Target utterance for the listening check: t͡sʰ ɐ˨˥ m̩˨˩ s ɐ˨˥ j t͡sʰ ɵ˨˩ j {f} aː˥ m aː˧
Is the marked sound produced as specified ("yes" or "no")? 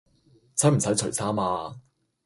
no